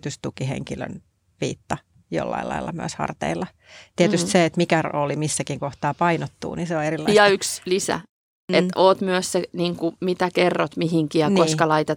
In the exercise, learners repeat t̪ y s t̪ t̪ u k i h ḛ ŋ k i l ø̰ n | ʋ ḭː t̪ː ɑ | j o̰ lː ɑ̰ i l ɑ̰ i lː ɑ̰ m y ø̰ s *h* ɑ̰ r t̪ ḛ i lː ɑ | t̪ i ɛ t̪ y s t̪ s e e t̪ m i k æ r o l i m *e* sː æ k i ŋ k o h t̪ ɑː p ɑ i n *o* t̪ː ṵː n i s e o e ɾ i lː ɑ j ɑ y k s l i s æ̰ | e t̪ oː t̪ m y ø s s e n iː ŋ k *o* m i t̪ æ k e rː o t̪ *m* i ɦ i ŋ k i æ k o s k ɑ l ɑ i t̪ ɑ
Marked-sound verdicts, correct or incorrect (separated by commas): correct, incorrect, correct, incorrect, correct